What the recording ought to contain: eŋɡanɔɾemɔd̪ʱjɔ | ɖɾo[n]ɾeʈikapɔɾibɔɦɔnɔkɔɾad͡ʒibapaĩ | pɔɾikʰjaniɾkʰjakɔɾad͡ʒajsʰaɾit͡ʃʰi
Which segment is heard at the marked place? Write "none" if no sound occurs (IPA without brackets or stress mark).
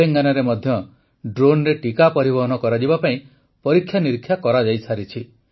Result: n